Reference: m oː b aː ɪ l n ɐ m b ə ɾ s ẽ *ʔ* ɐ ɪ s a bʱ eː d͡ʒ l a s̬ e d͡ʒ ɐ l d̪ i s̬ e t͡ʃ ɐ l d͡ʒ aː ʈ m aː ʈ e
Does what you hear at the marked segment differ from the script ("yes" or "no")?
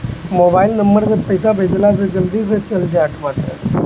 yes